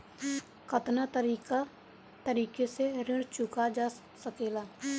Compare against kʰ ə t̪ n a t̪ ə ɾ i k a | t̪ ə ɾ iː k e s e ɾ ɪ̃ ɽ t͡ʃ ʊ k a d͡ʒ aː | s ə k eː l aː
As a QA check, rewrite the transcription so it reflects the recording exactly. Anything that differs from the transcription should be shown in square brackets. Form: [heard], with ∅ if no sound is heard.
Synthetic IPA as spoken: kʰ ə t̪ n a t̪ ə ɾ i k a | t̪ ə ɾ iː k e s e ɾ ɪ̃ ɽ t͡ʃ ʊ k a d͡ʒ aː | s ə k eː l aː